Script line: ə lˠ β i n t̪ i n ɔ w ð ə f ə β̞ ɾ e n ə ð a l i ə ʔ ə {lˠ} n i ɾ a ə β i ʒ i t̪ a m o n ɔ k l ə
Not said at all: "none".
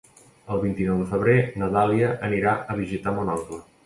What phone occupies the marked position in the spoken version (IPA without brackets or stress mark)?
none